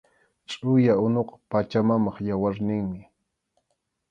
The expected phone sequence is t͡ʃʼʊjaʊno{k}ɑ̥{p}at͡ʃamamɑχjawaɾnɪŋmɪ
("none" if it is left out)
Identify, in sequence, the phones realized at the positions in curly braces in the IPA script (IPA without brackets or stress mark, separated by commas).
q, p